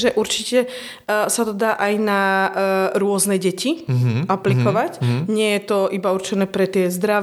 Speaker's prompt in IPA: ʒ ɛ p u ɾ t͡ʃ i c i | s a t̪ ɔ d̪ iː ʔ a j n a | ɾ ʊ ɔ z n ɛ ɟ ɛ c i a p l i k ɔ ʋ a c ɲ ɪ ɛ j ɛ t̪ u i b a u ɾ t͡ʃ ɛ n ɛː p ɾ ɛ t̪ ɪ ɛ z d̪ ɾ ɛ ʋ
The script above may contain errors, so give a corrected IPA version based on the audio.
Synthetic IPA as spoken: ʒ ɛ ʔ u ɾ t͡ʃ i c ɛ | s a t̪ ɔ d̪ aː ʔ a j n a | ɾ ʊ ɔ z n ɛ ɟ ɛ c i a p l i k ɔ ʋ a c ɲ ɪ ɛ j ɛ t̪ ɔ i b a u ɾ t͡ʃ ɛ n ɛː p ɾ ɛ t̪ ɪ ɛ z d̪ ɾ a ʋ